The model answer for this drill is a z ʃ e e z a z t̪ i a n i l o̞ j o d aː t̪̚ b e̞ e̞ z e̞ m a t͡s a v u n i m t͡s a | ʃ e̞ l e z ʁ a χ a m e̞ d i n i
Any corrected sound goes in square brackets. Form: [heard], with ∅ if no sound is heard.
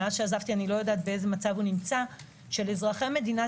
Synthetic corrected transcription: a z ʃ e [a] z a [v] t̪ i a n i l o̞ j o d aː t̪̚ b e̞ e̞ z e̞ m a t͡s a v u n i m t͡s a | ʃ e̞ l e z ʁ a χ [e] m e̞ d i n [a]